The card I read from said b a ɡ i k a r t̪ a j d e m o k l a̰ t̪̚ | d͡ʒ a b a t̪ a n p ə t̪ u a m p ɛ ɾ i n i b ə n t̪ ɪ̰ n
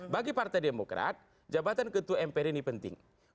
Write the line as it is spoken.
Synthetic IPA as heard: b a ɡ i p a r t̪ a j d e m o k ɾ a̰ t̪̚ | d͡ʒ a b a t̪ a n k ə t̪ u ɛ m p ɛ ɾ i n i p ə n t̪ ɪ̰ ŋ